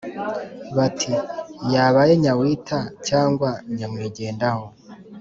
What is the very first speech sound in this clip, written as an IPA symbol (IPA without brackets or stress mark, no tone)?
β